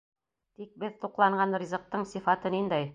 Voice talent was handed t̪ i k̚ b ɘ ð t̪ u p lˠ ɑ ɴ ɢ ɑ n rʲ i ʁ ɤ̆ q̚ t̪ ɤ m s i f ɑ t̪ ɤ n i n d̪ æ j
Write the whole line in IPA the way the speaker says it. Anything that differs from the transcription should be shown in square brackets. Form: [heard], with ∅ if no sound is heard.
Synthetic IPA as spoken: t̪ i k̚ b ɘ ð t̪ u [q] lˠ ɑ ɴ ɢ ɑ n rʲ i [z] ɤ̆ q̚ t̪ ɤ [ɴ] s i f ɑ t̪ ɤ n i n d̪ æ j